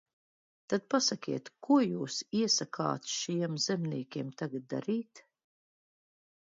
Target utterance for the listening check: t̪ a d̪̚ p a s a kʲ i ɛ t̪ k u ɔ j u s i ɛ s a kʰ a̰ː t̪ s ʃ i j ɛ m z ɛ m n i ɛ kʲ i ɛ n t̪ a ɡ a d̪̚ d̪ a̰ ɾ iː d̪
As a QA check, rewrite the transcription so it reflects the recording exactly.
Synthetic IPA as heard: t̪ a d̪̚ p a s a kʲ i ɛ t̪ k u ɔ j uː s i ɛ s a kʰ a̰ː t̪ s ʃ i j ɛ m z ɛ m n i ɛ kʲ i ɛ m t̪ a ɡ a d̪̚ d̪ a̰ ɾ iː t̪